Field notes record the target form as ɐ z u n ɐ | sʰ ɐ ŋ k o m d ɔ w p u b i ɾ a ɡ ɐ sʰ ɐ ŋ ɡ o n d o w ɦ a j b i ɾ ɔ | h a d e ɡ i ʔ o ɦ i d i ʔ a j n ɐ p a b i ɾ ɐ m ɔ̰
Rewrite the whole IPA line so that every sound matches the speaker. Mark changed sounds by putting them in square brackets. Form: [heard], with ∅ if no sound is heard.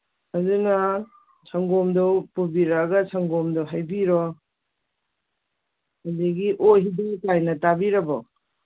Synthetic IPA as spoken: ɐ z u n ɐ | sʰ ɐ ŋ [ɡ] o m d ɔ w p u b i ɾ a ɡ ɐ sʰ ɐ ŋ ɡ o [m] d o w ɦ a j b i ɾ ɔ | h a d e ɡ i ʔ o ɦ i d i [k] a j n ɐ [t] a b i ɾ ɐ [b] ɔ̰